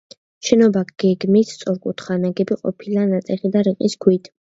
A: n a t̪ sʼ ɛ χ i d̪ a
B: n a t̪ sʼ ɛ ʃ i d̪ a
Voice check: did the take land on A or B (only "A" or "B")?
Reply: A